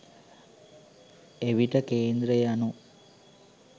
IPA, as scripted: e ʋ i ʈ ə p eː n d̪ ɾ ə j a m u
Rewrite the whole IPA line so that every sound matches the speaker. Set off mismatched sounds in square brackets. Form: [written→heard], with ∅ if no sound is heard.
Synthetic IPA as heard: e ʋ i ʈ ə [p→k] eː n d̪ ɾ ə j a [m→n] u